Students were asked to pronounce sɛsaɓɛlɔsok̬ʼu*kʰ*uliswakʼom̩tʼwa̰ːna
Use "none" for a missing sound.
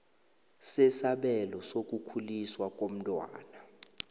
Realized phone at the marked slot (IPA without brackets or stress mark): kʰ